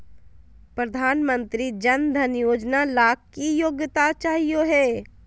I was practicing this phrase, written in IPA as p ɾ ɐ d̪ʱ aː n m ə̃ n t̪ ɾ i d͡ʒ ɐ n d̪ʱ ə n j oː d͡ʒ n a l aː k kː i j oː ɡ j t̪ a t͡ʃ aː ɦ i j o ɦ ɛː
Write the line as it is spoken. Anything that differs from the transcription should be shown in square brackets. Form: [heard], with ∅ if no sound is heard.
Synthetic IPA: p ɾ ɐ d̪ʱ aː n m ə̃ n t̪ ɾ i d͡ʒ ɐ n d̪ʱ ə n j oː d͡ʒ n a l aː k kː i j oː ɡ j t̪ a t͡ʃ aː ɦ i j o ɦ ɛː